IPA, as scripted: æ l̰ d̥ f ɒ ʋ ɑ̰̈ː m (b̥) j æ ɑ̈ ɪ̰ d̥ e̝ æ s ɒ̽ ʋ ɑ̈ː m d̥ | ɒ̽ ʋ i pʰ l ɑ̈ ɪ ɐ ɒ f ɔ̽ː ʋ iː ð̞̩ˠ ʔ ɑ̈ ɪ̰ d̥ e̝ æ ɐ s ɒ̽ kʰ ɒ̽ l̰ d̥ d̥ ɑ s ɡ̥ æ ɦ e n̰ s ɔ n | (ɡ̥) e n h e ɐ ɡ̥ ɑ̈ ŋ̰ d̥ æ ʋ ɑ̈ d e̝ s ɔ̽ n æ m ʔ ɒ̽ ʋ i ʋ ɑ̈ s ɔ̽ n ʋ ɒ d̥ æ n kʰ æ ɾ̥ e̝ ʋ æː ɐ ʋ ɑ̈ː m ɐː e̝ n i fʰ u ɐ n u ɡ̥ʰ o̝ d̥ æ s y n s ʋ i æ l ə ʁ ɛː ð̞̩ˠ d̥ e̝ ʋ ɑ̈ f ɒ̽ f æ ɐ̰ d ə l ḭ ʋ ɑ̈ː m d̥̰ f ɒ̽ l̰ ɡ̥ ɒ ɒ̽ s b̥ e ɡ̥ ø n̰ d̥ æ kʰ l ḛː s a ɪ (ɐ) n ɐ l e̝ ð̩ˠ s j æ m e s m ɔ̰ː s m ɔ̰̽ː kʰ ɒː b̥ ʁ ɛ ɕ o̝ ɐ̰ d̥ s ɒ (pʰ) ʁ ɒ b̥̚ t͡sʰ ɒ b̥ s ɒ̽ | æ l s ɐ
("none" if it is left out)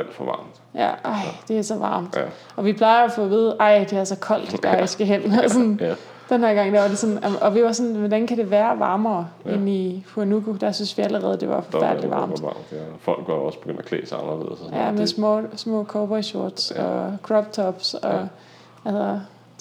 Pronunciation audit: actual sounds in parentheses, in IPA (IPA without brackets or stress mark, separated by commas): d̥, d̥, ɑ, kʰ